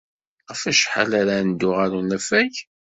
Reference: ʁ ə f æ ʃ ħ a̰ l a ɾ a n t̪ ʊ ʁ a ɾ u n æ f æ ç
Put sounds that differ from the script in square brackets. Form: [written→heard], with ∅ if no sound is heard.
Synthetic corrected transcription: ʁ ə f æ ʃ ħ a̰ l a ɾ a n [t̪→d̪] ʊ ʁ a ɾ u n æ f æ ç